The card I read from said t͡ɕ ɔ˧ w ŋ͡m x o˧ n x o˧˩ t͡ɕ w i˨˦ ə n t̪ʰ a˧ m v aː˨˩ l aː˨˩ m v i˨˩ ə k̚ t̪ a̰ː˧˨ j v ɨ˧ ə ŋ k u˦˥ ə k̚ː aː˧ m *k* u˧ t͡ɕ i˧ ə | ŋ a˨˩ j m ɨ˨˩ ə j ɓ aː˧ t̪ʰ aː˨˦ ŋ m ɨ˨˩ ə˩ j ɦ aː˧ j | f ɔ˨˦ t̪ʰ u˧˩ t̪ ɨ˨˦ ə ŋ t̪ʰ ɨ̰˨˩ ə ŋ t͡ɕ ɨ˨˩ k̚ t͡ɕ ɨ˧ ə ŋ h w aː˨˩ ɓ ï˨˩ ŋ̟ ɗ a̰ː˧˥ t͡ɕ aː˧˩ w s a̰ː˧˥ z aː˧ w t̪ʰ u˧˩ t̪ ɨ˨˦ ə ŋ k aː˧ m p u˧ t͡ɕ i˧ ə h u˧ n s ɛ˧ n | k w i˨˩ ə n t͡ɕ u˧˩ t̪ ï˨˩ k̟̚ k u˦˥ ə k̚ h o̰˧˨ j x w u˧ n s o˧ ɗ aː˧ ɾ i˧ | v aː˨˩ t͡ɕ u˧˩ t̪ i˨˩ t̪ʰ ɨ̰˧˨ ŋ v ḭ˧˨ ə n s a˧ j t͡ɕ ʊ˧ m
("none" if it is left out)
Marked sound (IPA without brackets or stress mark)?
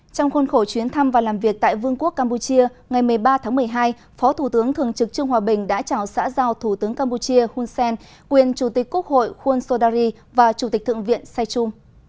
p